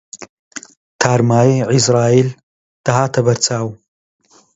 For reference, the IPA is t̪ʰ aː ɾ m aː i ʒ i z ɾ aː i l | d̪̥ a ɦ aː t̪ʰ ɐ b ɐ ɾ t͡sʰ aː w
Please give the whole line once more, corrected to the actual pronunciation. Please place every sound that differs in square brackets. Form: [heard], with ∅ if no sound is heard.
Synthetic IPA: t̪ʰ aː ɾ m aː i [ʕ] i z ɾ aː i l | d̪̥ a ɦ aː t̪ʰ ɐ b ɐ ɾ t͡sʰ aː w